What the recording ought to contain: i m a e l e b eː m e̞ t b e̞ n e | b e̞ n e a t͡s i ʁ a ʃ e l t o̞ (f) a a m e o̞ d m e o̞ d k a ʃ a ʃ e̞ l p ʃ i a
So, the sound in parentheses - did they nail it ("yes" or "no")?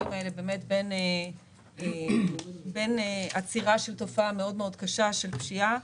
yes